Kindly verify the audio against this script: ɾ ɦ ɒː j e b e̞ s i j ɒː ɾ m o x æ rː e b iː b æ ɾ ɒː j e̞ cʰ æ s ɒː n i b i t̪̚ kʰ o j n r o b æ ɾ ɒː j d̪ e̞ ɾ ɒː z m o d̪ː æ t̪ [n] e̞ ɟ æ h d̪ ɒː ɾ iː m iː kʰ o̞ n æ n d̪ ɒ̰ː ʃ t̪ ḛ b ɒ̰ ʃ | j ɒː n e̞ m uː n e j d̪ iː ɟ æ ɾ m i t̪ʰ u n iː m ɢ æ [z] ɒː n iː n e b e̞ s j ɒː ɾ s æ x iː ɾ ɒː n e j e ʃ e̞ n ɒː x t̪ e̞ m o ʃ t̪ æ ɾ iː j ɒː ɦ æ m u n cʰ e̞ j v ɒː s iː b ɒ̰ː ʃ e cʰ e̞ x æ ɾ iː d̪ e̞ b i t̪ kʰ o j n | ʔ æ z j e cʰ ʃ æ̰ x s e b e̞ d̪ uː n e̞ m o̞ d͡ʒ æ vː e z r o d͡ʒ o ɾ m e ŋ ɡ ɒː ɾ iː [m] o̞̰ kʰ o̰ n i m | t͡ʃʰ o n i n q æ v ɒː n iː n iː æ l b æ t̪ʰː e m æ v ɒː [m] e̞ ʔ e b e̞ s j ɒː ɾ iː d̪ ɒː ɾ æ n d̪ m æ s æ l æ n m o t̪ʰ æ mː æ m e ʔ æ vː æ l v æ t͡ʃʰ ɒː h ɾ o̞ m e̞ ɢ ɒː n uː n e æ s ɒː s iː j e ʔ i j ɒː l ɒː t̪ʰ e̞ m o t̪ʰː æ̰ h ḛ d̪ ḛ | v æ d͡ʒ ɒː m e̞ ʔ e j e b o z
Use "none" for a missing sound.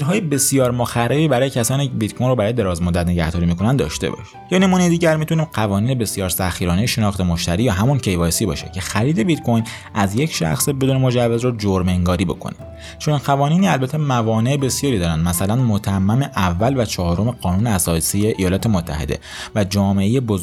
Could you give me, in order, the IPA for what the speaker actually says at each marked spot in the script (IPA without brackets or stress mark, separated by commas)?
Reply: n, v, b, n